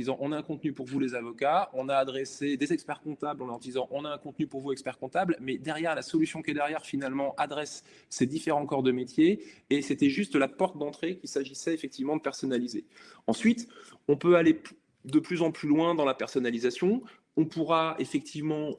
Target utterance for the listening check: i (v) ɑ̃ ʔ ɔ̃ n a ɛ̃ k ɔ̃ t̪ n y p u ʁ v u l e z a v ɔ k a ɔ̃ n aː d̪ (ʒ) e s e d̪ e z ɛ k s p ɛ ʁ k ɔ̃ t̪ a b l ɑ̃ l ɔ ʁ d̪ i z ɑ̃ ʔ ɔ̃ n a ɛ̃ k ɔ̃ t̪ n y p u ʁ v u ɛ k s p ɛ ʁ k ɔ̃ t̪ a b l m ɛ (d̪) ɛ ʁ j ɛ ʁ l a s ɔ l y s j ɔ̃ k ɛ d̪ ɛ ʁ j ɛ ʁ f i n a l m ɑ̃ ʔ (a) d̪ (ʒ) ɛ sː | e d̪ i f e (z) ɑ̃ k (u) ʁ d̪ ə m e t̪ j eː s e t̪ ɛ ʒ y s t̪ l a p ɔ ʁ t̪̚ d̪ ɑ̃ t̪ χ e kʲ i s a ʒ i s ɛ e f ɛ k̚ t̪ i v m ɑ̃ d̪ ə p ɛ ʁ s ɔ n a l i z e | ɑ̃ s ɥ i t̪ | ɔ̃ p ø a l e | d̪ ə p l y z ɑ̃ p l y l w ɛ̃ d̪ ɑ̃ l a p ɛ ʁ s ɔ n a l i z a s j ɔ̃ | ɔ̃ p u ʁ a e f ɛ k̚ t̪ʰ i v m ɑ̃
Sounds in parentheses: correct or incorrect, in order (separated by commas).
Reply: incorrect, incorrect, correct, correct, incorrect, incorrect, incorrect